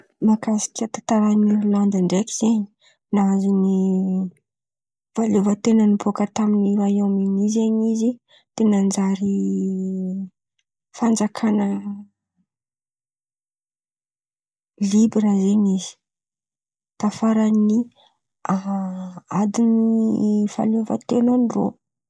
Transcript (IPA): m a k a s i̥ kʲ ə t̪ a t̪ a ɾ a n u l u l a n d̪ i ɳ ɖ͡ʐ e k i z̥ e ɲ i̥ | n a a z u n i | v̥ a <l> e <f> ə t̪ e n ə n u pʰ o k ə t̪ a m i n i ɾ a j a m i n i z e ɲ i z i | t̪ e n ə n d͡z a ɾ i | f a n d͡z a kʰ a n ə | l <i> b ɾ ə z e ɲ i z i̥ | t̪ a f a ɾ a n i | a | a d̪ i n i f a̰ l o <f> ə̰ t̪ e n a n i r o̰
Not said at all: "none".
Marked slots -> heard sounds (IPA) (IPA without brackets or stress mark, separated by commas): l, v, i, v